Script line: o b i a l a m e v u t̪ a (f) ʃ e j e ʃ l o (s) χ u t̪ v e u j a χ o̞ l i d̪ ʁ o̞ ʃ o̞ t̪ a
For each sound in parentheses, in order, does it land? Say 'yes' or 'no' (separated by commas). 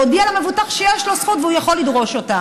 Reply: no, yes